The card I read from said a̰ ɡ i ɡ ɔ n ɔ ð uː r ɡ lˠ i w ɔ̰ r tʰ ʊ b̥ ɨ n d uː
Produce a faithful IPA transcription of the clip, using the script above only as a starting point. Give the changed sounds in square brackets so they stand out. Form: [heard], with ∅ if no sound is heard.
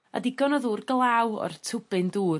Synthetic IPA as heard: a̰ [d] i ɡ ɔ n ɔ ð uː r ɡ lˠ [a] w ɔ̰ r tʰ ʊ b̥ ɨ n d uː